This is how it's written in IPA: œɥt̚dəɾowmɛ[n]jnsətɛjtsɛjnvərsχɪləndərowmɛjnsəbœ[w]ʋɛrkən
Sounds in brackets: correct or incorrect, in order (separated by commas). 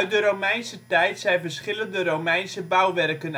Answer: incorrect, correct